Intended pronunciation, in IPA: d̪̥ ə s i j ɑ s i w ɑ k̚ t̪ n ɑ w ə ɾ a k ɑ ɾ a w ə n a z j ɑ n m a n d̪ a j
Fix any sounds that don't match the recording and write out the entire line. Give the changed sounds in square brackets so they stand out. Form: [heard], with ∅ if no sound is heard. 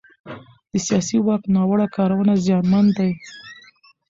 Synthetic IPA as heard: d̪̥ ə s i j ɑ s i w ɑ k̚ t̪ n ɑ w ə [ɽ] a k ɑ ɾ a w ə n a z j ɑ n m a n d̪ a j

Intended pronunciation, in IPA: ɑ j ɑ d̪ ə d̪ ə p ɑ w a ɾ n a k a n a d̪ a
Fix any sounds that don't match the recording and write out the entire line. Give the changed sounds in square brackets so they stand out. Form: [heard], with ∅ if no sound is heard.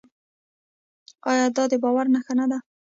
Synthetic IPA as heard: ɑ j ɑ d̪ [ɑ] d̪ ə [b] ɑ w a ɾ n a [x] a n a d̪ a

